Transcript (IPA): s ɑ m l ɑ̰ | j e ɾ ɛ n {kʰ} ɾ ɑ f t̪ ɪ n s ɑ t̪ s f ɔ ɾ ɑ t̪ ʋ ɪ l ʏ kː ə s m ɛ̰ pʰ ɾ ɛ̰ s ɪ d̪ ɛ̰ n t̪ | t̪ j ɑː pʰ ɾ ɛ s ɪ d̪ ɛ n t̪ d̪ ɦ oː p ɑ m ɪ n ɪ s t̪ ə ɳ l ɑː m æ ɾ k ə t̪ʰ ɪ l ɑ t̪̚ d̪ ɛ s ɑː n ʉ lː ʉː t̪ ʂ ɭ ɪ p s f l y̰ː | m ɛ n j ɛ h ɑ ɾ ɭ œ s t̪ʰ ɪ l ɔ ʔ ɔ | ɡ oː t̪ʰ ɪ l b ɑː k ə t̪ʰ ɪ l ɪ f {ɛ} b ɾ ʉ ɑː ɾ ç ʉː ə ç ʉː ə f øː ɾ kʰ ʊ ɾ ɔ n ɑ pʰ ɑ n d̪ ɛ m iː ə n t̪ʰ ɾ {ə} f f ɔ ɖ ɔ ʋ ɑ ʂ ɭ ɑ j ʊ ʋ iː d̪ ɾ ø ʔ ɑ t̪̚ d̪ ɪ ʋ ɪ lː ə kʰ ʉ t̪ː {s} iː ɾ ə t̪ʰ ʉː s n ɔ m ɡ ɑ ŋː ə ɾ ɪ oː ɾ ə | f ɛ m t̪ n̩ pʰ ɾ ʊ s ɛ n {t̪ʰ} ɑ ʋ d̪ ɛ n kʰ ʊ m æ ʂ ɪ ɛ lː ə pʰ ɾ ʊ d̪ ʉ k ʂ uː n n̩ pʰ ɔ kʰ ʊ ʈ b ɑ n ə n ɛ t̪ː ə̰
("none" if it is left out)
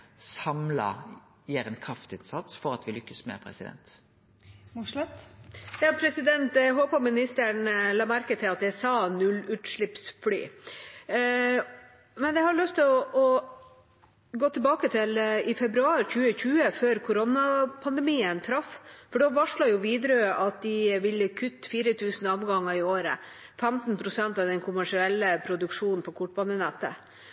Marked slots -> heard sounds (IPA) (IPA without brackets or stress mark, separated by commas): kʰ, ɛ, ɑ, f, t̪